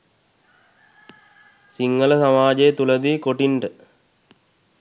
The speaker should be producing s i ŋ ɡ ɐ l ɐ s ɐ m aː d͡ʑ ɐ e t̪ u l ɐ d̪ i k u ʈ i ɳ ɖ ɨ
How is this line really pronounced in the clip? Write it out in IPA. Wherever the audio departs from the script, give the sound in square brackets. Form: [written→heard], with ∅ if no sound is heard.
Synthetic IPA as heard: s i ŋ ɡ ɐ l ɐ s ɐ m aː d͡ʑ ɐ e t̪ u l ɐ d̪ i k [u→o] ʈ i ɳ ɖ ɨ